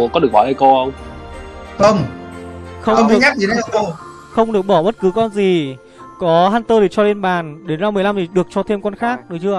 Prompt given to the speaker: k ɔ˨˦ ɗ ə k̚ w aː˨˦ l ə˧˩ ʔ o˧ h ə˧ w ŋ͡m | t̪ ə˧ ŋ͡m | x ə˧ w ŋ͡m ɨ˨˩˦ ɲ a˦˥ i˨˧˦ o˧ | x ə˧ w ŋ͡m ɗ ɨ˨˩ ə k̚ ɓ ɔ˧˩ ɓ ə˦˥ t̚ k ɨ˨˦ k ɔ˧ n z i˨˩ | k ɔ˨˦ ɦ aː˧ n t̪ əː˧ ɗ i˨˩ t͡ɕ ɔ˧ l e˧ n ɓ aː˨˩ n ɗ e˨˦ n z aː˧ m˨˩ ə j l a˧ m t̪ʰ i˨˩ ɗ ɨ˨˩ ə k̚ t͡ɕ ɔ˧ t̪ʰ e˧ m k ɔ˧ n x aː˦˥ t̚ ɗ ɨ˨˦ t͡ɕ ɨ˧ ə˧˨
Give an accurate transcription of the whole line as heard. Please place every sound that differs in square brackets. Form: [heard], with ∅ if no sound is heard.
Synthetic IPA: k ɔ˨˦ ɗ ə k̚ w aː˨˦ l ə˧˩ [k] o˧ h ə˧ w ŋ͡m | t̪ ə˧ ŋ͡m | x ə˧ w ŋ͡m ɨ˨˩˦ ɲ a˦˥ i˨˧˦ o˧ | x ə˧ w ŋ͡m ɗ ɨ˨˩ ə k̚ ɓ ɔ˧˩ ɓ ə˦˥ t̚ k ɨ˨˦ k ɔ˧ n z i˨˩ | k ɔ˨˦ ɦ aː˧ n t̪ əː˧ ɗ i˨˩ t͡ɕ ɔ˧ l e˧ n ɓ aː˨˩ n ɗ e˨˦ n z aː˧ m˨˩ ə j l a˧ m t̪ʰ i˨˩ ɗ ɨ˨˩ ə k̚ t͡ɕ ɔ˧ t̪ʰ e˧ m k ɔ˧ n x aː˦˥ [k̚] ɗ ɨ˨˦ t͡ɕ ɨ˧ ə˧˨